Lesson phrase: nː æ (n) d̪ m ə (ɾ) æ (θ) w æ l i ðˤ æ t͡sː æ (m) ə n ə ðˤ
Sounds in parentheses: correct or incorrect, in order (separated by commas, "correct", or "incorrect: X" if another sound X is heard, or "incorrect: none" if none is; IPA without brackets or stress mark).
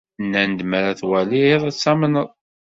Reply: correct, correct, correct, correct